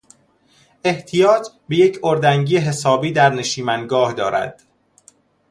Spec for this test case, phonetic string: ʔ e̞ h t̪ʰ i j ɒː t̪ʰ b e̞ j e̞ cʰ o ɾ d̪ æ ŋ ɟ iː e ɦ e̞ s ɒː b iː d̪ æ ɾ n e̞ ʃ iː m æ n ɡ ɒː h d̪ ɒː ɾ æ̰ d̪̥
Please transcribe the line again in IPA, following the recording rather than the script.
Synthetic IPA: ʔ e̞ h t̪ʰ i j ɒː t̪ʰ b e̞ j e̞ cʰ o ɾ d̪ æ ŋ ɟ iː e ɦ e̞ s ɒː b iː d̪ æ ɾ n e̞ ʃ iː m æ n ɡ ɒː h d̪ ɒː ɾ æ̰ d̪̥